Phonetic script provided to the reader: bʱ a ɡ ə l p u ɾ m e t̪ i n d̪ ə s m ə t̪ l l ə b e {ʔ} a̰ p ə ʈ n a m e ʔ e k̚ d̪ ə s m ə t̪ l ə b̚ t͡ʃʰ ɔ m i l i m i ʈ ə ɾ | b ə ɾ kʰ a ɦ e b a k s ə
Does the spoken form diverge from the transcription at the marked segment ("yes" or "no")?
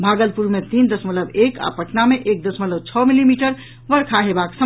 yes